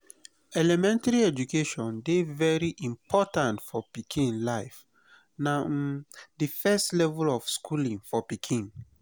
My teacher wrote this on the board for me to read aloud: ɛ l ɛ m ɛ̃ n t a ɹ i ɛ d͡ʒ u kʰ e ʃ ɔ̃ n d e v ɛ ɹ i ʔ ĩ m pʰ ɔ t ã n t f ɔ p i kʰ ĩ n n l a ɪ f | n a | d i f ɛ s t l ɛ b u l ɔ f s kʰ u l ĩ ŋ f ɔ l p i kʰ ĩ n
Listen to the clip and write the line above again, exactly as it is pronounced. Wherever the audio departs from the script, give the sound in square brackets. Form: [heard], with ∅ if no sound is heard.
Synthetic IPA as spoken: ɛ l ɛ m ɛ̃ n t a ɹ i ɛ d͡ʒ u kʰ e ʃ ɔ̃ n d e v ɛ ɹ i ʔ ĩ m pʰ ɔ t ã n t f ɔ p i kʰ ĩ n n l a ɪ f | n a | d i f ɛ s t l ɛ [v] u l ɔ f s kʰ u l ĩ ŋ f ɔ [∅] p i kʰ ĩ n